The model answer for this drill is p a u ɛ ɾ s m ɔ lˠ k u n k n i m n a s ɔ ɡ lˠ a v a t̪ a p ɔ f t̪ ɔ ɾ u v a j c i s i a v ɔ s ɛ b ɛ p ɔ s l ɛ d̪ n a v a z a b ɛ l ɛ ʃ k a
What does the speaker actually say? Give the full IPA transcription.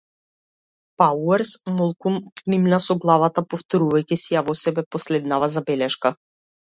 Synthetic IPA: p a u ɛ ɾ s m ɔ lˠ k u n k n i m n a s ɔ ɡ lˠ a v a t̪ a p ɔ f t̪ ɔ ɾ u v a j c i s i a v ɔ s ɛ b ɛ p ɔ s l ɛ d̪ n a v a z a b ɛ l ɛ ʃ k a